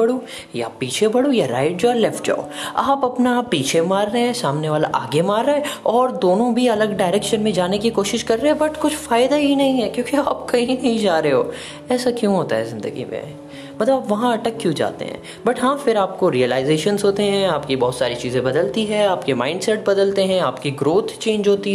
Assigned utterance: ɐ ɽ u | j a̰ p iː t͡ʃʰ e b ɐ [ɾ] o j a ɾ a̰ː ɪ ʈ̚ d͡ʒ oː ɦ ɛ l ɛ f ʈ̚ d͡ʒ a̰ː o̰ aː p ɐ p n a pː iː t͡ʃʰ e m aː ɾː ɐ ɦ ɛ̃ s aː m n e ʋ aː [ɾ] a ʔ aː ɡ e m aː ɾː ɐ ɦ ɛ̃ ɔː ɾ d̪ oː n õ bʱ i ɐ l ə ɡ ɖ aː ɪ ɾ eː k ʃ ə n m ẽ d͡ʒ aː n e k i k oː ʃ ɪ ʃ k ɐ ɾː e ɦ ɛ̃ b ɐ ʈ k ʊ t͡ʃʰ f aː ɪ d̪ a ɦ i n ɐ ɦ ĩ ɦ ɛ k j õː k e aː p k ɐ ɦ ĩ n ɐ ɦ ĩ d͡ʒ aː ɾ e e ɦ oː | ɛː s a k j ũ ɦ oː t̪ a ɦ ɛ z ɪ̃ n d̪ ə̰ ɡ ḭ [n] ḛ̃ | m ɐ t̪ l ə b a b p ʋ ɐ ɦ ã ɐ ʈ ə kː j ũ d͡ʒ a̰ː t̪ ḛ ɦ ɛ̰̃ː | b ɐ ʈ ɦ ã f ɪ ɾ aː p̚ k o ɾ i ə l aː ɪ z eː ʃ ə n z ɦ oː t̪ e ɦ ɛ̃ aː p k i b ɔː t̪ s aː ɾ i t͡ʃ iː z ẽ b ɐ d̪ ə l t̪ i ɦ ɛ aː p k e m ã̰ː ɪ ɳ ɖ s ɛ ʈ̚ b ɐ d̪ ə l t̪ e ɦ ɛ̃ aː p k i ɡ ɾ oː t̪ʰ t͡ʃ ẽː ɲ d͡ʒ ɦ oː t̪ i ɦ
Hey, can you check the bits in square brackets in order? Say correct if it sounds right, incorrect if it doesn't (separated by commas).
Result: incorrect, incorrect, incorrect